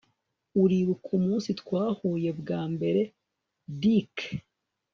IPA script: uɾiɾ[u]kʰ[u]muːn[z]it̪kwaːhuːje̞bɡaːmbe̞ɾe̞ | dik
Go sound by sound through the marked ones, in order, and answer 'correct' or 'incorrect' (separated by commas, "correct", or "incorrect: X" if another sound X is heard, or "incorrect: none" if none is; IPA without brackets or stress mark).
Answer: correct, correct, incorrect: s